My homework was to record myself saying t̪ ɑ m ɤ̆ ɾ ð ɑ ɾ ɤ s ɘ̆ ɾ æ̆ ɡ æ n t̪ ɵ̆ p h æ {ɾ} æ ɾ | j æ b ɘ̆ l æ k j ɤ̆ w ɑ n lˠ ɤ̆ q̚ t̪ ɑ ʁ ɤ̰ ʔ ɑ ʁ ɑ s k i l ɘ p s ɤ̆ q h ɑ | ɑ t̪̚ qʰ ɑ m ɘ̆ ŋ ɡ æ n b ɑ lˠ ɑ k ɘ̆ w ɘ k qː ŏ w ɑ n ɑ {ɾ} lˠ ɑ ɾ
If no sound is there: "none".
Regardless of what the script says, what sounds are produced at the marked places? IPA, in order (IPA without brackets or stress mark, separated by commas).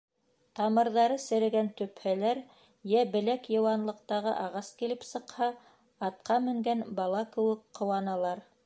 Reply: l, none